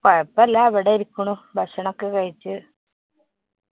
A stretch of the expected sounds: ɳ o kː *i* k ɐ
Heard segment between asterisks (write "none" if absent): e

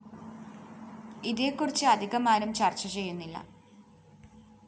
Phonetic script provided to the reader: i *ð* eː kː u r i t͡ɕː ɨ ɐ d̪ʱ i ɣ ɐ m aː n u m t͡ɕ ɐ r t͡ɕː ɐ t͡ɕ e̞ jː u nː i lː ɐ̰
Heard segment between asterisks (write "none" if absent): ð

